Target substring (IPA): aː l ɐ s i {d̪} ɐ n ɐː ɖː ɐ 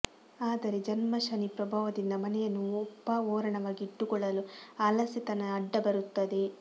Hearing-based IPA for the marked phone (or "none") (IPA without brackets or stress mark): t̪